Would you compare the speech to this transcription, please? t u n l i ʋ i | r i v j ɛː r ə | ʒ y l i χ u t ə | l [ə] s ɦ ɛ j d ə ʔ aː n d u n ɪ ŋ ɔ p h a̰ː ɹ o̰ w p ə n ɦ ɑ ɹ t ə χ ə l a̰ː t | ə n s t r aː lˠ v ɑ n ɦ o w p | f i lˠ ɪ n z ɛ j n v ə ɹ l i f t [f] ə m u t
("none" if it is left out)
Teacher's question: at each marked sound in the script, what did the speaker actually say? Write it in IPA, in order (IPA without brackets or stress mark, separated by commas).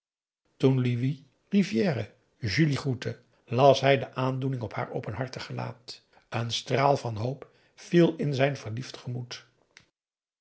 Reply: ɑ, χ